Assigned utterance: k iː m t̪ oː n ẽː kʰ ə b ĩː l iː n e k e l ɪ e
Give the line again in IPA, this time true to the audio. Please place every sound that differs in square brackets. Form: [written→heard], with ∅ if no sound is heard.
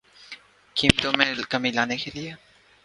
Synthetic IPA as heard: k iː m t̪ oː [n→m] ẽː [kʰ→k] ə [b→m] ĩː l [iː→aː] n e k e l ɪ e